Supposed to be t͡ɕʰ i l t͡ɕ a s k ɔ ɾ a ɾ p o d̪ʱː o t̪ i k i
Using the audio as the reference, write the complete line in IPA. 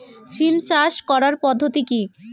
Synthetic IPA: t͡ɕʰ i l t͡ɕ a ʃ k ɔ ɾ a ɾ p ɔ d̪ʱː o t̪ i k i